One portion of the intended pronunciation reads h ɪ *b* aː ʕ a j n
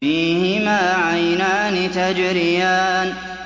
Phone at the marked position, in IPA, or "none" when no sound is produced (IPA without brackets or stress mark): m